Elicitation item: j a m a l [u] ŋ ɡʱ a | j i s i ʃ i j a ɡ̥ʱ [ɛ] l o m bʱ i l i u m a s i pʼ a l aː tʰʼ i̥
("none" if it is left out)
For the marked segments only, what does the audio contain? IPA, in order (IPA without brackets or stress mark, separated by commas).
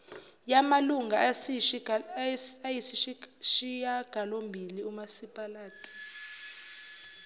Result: u, a